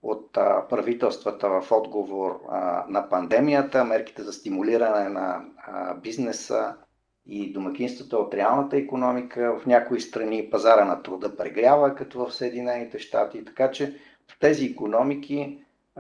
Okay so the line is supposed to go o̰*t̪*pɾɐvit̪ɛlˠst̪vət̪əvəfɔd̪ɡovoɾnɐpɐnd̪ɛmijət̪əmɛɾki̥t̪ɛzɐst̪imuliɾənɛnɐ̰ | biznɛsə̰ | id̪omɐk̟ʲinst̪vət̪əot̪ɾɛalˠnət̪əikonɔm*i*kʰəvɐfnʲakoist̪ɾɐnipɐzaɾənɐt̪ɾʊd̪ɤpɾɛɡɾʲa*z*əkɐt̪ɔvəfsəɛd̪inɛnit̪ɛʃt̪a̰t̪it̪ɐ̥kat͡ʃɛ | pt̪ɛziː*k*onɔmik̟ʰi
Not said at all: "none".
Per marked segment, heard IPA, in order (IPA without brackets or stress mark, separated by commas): t̪, i, v, k